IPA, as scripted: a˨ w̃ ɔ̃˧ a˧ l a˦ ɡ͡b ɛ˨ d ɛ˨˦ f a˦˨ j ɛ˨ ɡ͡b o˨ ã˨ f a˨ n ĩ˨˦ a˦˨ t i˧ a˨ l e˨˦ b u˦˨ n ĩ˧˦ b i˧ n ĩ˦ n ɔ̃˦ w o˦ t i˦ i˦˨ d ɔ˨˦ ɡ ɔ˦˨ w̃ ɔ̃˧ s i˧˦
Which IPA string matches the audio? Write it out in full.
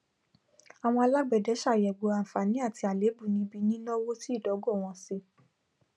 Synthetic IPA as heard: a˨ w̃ ɔ̃˧ a˧ l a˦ ɡ͡b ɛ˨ d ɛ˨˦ ʃ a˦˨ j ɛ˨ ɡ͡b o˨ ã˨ f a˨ n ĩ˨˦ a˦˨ t i˧ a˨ l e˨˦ b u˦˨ n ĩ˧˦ b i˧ n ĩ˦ n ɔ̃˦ w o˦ t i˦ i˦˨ d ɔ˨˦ ɡ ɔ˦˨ w̃ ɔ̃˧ s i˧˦